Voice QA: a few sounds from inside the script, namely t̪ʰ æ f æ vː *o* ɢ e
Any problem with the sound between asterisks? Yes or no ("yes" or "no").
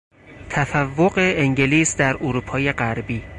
no